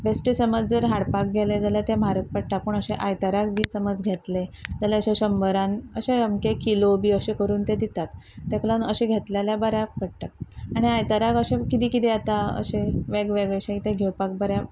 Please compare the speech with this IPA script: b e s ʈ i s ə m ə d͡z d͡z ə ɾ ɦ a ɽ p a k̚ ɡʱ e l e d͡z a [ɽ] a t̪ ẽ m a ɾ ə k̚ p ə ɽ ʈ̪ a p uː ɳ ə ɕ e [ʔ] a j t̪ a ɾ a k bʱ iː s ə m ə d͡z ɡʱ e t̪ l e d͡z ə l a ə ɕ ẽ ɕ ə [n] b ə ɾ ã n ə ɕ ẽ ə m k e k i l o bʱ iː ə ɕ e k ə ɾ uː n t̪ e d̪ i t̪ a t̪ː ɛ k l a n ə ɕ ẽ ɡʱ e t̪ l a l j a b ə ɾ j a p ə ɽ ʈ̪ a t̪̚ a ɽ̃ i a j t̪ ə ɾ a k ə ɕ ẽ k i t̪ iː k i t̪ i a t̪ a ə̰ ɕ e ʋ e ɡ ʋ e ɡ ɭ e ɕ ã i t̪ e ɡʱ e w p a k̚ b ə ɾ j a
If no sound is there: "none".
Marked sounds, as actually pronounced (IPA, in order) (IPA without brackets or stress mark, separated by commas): l, ʔ, m